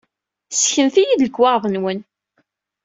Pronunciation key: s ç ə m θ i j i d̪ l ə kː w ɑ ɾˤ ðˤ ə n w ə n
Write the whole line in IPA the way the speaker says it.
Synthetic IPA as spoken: s ç ə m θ i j i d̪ l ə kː w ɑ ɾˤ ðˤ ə n w ə n